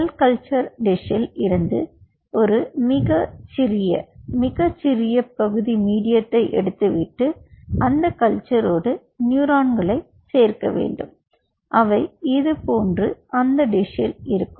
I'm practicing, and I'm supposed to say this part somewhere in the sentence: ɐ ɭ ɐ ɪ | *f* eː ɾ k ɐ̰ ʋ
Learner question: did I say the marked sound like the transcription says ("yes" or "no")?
no